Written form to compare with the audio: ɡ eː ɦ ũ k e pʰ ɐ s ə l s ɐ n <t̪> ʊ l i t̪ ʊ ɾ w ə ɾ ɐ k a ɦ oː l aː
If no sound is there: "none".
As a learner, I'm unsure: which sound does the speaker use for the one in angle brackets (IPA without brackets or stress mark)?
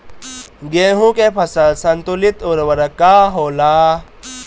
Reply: t̪